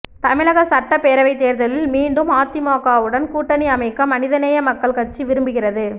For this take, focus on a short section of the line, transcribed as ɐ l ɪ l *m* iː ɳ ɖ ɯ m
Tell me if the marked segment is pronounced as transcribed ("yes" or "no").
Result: yes